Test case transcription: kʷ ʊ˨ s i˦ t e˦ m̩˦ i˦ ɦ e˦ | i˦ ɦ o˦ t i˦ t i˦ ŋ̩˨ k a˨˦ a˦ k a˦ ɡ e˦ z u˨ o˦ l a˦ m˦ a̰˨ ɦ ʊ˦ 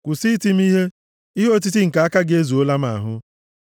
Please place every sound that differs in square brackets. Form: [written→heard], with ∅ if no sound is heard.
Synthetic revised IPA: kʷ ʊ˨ s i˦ t [e˦→i˦] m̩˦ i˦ ɦ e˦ | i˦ ɦ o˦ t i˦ t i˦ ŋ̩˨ k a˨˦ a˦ k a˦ ɡ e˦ z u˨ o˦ l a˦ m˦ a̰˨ ɦ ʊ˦